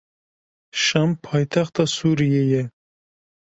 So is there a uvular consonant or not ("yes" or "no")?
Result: yes